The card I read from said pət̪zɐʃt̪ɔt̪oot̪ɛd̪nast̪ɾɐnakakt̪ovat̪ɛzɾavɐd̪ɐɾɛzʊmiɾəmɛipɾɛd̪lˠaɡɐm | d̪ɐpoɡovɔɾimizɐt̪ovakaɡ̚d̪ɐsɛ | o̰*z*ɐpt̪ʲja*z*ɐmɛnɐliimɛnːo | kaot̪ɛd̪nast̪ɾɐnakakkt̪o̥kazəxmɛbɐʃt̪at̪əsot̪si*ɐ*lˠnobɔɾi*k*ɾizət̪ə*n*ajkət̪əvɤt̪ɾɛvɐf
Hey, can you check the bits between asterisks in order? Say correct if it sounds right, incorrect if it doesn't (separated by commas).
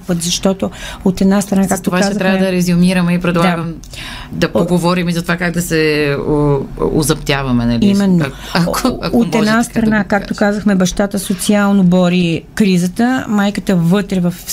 correct, incorrect, incorrect, correct, incorrect